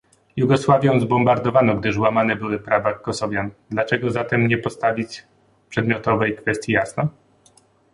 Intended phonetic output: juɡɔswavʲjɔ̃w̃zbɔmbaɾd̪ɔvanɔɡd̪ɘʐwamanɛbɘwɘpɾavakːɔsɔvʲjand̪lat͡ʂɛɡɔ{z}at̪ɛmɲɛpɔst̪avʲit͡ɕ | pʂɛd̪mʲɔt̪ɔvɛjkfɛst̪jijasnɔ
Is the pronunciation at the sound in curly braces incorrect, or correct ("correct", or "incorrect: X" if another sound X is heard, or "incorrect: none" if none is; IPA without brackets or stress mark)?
correct